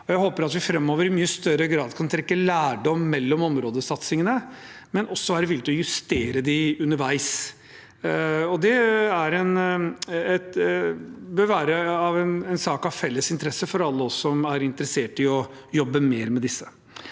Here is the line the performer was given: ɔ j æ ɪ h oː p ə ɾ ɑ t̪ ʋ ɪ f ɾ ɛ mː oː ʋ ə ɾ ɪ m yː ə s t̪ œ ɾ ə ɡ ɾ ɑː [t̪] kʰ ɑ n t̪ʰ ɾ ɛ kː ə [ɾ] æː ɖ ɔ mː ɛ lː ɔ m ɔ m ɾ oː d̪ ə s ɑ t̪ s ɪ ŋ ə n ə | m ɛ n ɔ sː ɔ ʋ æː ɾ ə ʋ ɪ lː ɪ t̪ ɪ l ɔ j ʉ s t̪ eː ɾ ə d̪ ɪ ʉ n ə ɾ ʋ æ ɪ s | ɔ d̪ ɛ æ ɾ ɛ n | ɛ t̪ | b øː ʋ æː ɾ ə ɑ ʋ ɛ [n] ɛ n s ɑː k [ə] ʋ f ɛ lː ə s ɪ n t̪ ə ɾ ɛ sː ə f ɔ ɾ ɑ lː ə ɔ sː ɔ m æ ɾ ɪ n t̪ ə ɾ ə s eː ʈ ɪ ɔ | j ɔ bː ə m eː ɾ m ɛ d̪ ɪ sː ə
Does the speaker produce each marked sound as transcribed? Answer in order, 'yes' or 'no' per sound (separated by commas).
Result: no, no, yes, no